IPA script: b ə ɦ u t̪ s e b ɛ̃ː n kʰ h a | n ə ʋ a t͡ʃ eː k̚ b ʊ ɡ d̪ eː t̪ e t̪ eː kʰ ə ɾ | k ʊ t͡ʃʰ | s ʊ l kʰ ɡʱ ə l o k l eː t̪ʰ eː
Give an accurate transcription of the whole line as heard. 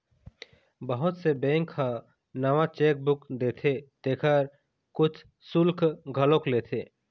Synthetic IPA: b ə ɦ ʊ t̪ s e b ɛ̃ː ŋ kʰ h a | n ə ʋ a t͡ʃ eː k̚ b ʊ k d̪ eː t̪ʰ e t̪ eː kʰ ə ɾ | k ʊ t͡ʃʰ | s ʊ l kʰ ɡʱ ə l o k l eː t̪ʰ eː

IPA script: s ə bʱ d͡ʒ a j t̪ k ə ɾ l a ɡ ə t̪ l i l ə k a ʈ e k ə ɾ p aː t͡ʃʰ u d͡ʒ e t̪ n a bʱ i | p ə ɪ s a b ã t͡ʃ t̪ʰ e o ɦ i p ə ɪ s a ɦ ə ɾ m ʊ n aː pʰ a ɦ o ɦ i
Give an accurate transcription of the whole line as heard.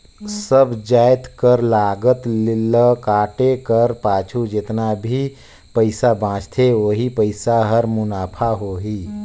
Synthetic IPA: s ə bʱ d͡ʒ a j t̪ k ə ɾ l a ɡ ə t̪ l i l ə k a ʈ e k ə ɾ p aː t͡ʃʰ u d͡ʒ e t̪ n a bʱ i | p ə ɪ s a b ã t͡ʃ t̪ʰ e o ɦ i p ə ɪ s a ɦ ə ɾ m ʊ n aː pʰ a ɦ o ɦ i

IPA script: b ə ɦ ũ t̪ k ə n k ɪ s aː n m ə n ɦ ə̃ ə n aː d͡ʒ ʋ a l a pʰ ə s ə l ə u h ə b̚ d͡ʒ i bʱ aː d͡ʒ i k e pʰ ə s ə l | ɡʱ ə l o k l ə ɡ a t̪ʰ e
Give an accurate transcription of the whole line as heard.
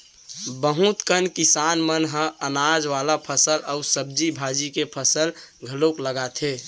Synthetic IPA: b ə ɦ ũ t̪ k ə n k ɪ s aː n m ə n ɦ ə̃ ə n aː d͡ʒ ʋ a l a pʰ ə s ə l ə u s ə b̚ d͡ʒ i bʱ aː d͡ʒ i k e pʰ ə s ə l | ɡʱ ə l o k l ə ɡ a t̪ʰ e

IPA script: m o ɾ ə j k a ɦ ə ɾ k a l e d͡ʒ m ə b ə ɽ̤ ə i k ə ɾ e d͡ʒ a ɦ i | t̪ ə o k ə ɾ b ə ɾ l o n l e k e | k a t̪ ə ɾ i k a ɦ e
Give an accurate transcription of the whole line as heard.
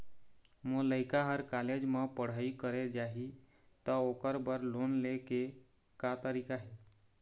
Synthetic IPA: m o l ə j k a ɦ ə ɾ k a l e d͡ʒ m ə p ə ɽ̤ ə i k ə ɾ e d͡ʒ a ɦ i | t̪ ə o k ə ɾ b ə ɾ l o n l e k e | k a t̪ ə ɾ i k a ɦ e

